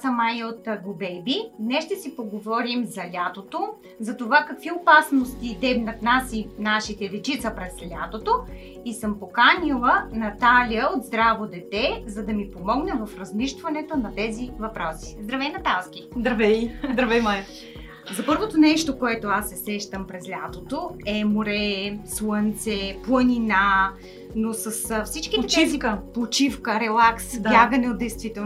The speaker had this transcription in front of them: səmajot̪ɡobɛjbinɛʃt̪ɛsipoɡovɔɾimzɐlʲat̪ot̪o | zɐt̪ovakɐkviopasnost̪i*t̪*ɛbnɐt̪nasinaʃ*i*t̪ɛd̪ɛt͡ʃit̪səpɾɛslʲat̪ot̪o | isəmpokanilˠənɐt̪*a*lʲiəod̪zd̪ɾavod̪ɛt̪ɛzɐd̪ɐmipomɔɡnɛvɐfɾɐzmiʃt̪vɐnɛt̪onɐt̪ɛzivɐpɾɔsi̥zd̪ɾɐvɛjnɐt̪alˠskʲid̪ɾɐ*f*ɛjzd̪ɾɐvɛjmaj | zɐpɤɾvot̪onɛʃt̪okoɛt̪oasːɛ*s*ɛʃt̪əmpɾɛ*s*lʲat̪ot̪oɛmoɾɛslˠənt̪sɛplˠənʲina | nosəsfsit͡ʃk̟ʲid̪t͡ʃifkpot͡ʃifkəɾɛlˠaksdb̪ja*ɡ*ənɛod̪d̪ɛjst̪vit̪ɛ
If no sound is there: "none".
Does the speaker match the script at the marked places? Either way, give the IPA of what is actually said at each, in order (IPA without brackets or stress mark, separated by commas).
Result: d̪, i, a, v, s, z, ɡ